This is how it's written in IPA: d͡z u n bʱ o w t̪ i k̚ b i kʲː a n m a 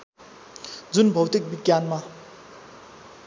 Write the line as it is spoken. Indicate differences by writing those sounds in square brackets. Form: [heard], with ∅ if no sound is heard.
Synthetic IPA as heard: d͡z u n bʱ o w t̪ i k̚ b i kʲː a n m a